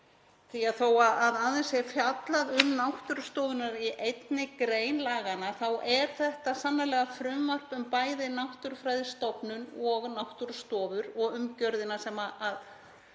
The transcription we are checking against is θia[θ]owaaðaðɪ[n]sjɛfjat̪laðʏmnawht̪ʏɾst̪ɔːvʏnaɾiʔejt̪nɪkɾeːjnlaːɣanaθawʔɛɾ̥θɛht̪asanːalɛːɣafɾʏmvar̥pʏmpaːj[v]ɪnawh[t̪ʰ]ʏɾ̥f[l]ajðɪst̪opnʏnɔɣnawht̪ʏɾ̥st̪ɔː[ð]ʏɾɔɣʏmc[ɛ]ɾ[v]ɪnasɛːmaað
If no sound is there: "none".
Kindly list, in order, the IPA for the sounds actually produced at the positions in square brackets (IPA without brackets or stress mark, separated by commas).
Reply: θ, n, ð, t̪, ɾ, v, œ, ð